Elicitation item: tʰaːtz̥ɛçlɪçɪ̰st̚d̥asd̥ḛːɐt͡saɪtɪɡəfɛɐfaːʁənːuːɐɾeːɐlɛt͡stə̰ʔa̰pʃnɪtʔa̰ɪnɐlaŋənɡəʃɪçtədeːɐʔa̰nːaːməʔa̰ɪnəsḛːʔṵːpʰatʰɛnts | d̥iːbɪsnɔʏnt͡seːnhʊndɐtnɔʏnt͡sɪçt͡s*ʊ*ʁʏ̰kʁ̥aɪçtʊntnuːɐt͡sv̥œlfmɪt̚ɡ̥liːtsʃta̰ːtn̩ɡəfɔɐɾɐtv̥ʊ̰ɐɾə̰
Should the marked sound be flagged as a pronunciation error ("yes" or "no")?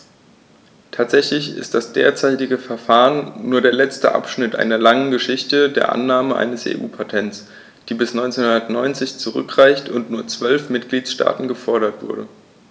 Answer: yes